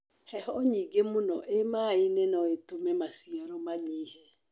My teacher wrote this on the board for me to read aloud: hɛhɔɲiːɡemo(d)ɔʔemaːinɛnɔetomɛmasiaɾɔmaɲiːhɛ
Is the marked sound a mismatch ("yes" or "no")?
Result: yes